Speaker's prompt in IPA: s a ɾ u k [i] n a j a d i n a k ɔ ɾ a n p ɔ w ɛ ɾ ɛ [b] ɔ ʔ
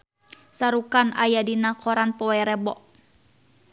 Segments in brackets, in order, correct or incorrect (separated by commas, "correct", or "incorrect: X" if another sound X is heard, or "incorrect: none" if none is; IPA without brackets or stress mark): incorrect: a, correct